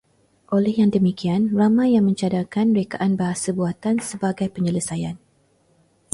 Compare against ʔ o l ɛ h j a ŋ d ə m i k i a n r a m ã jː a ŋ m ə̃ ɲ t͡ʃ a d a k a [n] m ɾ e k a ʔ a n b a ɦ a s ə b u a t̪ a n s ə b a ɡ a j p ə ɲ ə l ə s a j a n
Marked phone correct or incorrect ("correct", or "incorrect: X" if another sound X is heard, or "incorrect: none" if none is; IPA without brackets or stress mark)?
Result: correct